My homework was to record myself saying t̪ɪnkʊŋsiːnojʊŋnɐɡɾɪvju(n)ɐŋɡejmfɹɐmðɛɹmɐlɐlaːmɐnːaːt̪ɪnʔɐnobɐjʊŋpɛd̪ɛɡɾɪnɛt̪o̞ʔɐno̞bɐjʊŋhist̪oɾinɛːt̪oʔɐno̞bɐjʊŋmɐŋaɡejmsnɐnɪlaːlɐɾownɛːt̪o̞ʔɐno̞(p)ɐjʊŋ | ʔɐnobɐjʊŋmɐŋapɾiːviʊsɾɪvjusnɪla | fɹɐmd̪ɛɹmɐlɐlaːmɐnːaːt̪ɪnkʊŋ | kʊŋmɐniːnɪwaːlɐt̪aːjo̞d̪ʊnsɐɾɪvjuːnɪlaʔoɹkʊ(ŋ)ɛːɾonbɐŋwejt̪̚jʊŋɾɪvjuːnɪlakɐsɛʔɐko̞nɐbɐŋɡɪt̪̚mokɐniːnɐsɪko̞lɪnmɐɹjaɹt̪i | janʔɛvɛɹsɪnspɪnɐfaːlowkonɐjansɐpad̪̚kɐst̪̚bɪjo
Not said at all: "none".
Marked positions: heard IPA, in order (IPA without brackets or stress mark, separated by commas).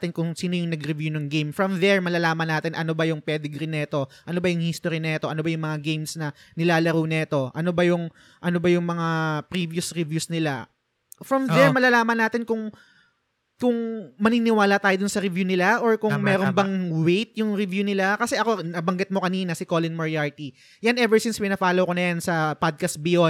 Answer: n, b, m